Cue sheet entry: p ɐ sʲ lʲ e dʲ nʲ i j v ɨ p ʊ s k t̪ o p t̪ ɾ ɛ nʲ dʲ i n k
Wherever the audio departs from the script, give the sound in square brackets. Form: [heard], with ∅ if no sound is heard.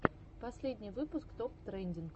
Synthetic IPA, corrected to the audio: p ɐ sʲ lʲ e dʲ nʲ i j v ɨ p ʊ s k t̪ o p t̪ ɾ ɛ nʲ dʲ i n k